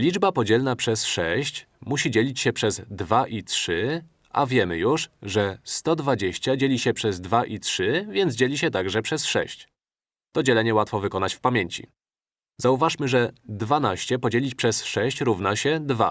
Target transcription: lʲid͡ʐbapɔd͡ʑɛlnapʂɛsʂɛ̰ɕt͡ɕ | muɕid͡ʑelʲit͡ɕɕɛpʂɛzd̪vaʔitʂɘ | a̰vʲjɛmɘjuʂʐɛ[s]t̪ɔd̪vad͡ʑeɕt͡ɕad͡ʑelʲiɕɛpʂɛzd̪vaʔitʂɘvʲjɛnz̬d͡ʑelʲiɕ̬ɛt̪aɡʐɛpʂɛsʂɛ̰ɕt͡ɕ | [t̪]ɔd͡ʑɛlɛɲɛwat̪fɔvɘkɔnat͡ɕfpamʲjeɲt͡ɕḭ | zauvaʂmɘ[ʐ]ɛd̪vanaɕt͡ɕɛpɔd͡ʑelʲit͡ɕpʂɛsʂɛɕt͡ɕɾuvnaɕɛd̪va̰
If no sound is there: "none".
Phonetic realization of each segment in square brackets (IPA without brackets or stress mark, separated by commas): s, t̪, ʐ